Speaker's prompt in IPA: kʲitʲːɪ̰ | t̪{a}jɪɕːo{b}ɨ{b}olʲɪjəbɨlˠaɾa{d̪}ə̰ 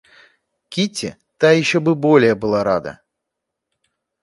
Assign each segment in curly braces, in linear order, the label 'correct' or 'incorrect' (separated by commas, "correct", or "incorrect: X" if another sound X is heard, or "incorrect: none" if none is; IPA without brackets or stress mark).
correct, correct, correct, correct